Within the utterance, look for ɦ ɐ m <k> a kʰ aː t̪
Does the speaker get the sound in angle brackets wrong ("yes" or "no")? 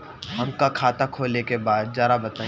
no